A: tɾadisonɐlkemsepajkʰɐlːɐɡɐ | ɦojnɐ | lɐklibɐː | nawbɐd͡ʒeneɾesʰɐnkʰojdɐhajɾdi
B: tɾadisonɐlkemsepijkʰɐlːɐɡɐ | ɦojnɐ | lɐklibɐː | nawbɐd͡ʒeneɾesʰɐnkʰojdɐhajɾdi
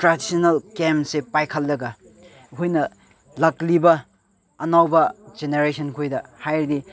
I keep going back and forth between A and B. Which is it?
A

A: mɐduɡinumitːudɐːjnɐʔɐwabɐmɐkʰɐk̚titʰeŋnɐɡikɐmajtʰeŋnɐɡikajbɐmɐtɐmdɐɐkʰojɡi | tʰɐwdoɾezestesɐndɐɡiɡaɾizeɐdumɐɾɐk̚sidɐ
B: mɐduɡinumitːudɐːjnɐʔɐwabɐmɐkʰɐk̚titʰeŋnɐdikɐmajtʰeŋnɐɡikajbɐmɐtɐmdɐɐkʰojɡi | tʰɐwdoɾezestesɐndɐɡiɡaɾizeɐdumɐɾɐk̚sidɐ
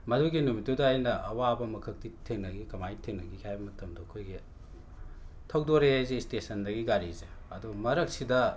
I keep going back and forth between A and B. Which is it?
A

